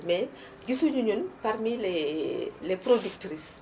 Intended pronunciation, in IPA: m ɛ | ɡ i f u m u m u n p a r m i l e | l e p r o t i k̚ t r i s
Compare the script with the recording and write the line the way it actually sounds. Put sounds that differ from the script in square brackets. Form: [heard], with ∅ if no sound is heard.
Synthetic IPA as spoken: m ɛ | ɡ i [s] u [ɲ] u [ɲ] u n p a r m i l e | l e p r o [d] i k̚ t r i s

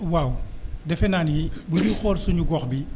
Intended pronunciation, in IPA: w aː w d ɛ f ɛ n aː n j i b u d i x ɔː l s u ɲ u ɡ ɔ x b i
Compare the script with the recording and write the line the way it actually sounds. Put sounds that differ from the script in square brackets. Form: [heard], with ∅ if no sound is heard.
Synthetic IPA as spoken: w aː w d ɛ f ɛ n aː n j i b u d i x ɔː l s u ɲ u ɡ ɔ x b i

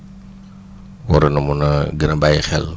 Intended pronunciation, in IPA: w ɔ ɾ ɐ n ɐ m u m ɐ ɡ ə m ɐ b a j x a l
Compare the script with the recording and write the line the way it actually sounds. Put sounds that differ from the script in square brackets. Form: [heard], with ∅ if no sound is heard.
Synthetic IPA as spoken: w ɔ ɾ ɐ n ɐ m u [n] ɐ ɡ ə [n] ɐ b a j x [ɛ] l

